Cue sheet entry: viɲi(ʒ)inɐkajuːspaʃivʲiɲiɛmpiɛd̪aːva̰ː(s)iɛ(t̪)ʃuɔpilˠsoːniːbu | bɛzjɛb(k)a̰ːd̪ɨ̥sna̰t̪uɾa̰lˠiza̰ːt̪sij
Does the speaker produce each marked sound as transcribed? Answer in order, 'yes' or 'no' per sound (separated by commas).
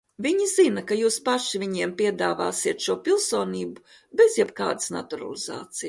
no, yes, yes, yes